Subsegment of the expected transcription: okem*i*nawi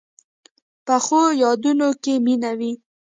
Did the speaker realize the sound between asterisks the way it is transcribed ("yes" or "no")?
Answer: yes